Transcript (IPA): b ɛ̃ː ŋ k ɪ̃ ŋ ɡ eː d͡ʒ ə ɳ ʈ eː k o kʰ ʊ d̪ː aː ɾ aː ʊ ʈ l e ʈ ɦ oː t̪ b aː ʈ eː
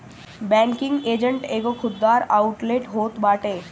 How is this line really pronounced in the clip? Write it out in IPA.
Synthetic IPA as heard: b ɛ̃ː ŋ k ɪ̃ ŋ ɡ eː d͡ʒ ə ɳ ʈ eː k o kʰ ʊ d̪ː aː ɾ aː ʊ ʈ l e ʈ ɦ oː t̪ b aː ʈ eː

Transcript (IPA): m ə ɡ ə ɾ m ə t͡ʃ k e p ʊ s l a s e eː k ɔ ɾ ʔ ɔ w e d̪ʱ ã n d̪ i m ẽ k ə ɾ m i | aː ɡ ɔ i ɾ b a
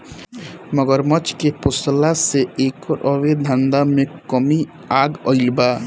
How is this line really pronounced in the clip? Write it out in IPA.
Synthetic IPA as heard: m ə ɡ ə ɾ m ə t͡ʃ k e p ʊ s l a s e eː k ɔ ɾ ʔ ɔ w e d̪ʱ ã n d̪ a m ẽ k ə m i | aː ɡ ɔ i l b a

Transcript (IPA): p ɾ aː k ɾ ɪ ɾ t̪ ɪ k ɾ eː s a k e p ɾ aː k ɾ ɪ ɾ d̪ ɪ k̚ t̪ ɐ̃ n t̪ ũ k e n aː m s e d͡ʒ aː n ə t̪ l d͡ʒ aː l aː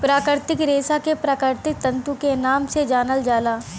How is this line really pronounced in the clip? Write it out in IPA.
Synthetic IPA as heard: p ɾ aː k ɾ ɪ ɾ t̪ ɪ k ɾ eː s a k e p ɾ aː k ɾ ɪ ɾ t̪ ɪ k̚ t̪ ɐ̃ n t̪ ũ k e n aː m s e d͡ʒ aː n ə l d͡ʒ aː l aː

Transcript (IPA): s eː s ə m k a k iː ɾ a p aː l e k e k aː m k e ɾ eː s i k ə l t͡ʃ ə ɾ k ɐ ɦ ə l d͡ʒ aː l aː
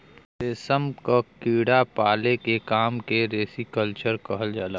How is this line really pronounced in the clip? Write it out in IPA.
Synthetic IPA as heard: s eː s ə m k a k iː ɽ a p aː l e k e k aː m k e ɾ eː s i k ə l t͡ʃ ə ɾ k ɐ ɦ ə l d͡ʒ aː l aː

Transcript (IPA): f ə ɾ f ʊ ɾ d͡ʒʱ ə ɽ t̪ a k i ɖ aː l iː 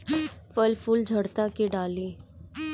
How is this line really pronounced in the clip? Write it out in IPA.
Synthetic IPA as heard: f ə l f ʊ l d͡ʒʱ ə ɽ t̪ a k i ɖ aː l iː

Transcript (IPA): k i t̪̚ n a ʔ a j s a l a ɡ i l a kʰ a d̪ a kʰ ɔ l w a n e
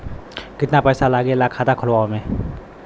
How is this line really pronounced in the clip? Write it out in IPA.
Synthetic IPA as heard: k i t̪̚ n a p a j s a l a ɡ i l a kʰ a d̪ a kʰ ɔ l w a m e

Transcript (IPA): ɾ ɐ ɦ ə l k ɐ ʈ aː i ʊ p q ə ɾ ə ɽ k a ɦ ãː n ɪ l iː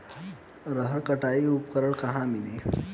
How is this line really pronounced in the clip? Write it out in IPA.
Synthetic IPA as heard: ɾ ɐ ɦ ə ɾ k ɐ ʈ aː i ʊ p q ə ɾ ə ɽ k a ɦ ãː m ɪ l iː

